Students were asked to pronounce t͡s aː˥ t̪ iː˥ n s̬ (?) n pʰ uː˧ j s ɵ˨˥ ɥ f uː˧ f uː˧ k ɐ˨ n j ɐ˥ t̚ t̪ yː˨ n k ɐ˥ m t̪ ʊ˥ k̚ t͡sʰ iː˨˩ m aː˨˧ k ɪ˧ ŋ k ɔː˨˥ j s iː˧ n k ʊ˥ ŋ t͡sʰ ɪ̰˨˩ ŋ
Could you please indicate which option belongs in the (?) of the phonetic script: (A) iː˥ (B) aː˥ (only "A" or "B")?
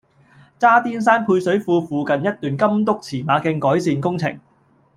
B